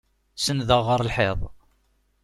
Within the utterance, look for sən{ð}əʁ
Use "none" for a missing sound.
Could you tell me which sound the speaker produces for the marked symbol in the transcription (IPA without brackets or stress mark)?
ð